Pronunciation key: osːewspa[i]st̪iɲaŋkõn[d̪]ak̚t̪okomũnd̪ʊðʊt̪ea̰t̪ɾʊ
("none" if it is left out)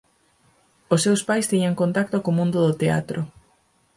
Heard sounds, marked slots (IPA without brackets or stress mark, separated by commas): j, t̪